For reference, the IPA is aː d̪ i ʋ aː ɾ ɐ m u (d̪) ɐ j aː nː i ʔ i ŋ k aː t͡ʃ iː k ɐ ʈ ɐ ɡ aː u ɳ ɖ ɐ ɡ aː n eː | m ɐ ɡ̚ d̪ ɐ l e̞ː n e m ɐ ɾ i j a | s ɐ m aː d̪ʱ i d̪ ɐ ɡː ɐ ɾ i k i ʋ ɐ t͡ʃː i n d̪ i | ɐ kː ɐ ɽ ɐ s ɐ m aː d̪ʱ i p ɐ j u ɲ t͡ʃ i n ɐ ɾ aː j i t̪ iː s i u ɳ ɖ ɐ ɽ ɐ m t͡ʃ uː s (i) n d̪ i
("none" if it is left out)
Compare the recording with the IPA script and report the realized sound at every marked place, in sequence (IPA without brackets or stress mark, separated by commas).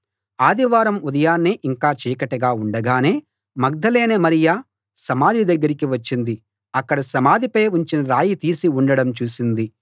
d̪, i